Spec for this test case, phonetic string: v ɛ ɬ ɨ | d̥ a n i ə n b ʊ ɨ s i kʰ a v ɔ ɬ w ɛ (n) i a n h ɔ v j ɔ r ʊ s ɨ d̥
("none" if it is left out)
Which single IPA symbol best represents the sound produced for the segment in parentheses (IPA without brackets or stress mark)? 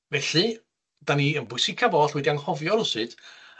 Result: d